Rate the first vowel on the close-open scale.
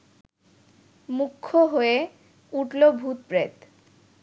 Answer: close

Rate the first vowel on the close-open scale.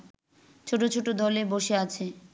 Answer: mid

